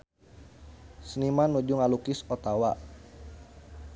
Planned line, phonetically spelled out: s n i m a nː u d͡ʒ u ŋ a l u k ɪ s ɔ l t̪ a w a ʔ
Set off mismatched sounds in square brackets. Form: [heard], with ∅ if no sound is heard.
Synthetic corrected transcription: s n i m a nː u d͡ʒ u ŋ a l u k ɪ s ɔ [∅] t̪ a w a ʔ